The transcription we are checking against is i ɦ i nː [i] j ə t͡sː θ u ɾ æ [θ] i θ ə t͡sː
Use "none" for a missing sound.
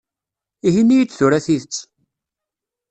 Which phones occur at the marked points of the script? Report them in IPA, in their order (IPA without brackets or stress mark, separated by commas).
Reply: i, θ